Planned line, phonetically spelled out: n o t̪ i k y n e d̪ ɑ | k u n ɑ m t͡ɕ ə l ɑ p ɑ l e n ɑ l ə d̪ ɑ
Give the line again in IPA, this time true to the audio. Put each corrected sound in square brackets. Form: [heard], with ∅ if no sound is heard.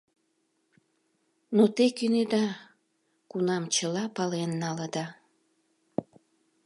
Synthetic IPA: n o t̪ [e] k y n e d̪ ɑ | k u n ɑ m t͡ɕ ə l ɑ p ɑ l e [nː] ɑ l ə d̪ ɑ